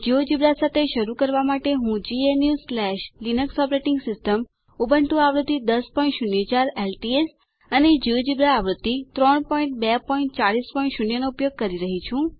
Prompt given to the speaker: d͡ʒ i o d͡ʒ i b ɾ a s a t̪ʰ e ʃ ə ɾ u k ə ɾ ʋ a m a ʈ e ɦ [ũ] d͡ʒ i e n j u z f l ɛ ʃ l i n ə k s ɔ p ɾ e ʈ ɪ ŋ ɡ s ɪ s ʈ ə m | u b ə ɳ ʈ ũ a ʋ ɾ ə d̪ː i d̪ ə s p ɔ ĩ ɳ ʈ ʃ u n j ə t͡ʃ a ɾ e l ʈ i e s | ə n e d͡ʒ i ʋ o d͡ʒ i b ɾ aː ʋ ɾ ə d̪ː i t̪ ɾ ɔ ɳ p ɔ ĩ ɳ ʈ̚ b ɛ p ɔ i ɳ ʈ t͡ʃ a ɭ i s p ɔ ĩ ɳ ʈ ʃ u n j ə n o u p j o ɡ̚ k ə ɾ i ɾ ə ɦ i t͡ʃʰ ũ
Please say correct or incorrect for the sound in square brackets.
correct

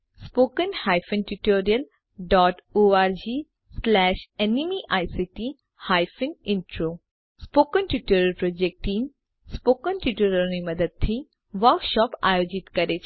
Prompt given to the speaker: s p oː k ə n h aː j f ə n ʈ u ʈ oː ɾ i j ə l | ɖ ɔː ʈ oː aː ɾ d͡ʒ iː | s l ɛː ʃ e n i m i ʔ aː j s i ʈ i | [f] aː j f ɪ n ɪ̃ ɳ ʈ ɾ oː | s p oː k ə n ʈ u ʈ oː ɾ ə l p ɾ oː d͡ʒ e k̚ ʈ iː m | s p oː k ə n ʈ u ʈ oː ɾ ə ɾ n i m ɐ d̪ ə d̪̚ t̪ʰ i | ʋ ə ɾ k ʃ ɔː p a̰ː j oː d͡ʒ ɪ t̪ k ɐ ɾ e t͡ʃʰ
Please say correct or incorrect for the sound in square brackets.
incorrect: h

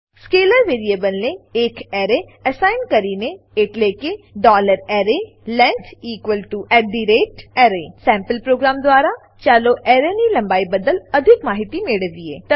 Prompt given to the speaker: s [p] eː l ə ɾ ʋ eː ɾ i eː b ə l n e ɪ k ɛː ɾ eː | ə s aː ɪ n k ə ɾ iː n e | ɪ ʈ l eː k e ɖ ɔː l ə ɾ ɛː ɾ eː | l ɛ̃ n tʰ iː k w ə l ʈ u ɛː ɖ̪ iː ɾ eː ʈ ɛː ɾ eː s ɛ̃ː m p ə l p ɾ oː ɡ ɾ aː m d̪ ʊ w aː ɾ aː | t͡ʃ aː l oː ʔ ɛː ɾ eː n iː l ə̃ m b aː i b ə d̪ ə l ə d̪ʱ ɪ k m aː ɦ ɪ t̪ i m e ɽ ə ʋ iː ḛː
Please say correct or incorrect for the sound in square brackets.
incorrect: k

